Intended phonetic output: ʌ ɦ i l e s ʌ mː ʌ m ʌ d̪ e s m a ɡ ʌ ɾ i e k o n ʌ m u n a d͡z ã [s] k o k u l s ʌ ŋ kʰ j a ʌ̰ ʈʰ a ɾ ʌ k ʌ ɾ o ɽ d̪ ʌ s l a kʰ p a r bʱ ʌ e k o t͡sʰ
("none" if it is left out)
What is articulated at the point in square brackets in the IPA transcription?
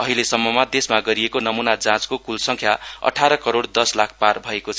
t͡s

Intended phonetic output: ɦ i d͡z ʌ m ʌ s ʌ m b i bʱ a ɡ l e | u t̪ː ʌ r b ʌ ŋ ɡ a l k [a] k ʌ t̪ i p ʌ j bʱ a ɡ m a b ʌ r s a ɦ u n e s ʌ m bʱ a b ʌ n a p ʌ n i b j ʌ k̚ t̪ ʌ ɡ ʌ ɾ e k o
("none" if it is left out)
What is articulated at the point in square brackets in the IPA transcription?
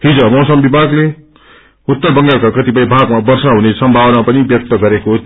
a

